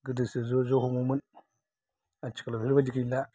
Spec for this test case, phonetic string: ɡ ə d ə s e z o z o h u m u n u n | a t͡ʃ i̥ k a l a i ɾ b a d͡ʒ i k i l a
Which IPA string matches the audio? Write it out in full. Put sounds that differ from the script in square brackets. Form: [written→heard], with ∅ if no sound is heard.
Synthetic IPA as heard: ɡ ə d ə s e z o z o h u m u [n→m] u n | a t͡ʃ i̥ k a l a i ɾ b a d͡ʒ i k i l a

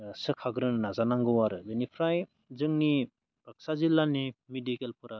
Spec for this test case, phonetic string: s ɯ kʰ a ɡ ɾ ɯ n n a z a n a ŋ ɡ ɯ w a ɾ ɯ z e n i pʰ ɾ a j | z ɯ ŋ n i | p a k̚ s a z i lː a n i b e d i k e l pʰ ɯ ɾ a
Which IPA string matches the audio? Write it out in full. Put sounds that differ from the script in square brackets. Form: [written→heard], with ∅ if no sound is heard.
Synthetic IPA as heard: s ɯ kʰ a ɡ ɾ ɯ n n a z a n a ŋ ɡ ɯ w a ɾ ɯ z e n i pʰ ɾ a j | z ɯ ŋ n i | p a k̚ s a z i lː a n i [b→m] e d i k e l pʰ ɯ ɾ a

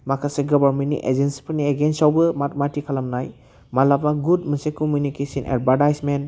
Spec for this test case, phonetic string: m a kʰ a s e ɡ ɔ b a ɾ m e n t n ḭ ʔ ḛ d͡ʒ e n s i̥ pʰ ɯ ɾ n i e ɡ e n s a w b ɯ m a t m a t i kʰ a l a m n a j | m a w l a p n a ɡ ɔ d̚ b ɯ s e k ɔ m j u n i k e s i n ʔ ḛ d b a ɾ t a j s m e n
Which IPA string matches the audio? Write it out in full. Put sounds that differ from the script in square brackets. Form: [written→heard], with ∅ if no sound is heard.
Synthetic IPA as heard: m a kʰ a s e ɡ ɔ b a ɾ m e n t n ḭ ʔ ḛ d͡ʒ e n s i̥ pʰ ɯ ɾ n i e ɡ e n s a w b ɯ m a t m a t i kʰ a l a m n a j | m a [w→∅] l a p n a ɡ [ɔ→u] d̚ [b→m] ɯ s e k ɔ m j u n i k e s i n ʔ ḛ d b a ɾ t a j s m e n

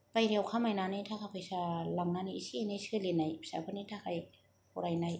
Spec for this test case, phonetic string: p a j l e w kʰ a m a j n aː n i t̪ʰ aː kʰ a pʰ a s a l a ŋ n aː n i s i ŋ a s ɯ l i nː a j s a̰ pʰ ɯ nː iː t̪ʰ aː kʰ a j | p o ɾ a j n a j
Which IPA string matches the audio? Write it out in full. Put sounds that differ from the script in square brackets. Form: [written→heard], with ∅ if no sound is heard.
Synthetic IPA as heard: p a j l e w kʰ a m a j n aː n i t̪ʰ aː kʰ a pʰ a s a l a ŋ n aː n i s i [ŋ→n] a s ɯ l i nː a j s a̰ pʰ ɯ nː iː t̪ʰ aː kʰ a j | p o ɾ a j n a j

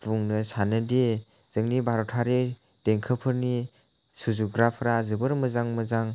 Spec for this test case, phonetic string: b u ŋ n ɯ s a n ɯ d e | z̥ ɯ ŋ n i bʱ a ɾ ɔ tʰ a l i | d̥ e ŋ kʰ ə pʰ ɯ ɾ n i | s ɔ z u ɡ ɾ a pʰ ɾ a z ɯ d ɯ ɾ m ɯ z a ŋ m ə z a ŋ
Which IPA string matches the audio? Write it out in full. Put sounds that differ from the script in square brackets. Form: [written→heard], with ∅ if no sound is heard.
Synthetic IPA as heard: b u ŋ n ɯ s a n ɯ d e | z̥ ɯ ŋ n i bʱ a ɾ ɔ tʰ a [l→ɾ] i | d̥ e ŋ kʰ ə pʰ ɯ ɾ n i | s [ɔ→u] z u ɡ ɾ a pʰ ɾ a z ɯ [d→b] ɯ ɾ m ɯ z a ŋ m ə z a ŋ

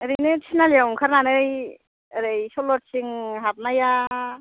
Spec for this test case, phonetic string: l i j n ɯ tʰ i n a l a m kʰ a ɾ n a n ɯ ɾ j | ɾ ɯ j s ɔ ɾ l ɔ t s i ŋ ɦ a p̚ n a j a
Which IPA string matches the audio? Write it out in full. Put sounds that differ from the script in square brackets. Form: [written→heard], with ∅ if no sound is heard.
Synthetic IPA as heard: [l→ɾ] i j n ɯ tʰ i n a l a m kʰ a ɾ n a n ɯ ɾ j | ɾ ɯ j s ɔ [ɾ→∅] l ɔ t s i ŋ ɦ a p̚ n a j a

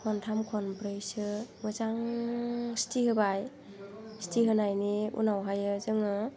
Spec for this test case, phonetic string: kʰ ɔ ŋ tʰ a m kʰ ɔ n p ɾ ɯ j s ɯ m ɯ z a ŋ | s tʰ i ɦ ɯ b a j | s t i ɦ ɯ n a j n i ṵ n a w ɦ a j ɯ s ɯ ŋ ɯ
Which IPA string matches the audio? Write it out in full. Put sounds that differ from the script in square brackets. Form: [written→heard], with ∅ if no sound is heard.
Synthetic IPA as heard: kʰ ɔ [ŋ→n] tʰ a m kʰ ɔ n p ɾ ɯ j s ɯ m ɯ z a ŋ | s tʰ i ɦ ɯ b a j | s t i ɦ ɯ n a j n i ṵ n a w ɦ a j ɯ [s→z] ɯ ŋ ɯ

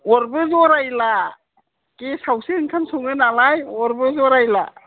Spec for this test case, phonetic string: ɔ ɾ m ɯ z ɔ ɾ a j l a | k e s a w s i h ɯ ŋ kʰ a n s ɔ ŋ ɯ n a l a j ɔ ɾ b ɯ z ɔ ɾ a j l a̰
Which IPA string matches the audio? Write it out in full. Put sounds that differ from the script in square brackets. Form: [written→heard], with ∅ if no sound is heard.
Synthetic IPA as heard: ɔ ɾ [m→b] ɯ z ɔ ɾ a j l a | k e s a w s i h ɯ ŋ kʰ a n s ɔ ŋ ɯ n a l a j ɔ ɾ b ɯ z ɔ ɾ a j l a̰

